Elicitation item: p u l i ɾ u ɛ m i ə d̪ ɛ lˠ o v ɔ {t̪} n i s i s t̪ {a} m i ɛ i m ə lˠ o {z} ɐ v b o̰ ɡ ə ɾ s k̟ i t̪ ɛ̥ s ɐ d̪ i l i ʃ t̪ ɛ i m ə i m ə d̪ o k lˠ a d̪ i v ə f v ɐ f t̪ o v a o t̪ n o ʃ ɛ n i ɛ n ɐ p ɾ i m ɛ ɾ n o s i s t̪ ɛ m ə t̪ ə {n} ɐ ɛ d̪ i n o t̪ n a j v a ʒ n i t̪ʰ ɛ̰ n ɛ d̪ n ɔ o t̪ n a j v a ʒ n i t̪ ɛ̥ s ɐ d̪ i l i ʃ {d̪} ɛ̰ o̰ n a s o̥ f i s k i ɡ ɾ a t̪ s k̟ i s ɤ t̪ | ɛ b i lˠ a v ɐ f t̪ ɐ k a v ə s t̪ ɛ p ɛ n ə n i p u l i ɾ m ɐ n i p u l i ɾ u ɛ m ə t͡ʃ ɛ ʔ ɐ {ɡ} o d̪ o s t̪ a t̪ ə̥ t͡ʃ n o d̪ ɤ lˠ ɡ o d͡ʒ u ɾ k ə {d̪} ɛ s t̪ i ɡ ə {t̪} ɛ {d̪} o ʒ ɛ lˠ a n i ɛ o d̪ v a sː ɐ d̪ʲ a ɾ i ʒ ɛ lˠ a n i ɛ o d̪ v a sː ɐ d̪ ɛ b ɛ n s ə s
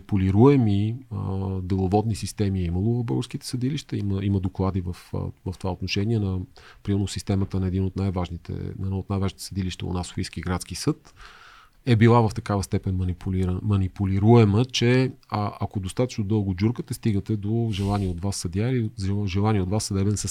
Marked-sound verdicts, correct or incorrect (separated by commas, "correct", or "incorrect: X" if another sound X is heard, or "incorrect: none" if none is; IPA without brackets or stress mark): incorrect: d̪, incorrect: ɛ, incorrect: v, correct, incorrect: t̪, incorrect: k, incorrect: t̪, correct, correct